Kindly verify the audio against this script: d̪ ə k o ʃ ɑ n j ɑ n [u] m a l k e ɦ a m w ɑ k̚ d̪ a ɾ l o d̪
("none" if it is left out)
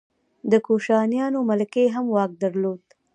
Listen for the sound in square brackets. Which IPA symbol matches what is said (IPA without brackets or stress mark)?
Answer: o